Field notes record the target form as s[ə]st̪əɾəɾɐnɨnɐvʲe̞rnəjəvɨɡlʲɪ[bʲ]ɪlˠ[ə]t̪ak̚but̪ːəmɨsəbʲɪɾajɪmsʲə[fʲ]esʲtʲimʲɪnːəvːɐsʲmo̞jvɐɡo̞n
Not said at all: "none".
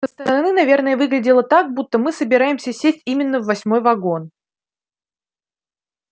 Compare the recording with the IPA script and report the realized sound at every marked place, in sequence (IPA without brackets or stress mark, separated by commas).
ə, dʲ, ə, sʲ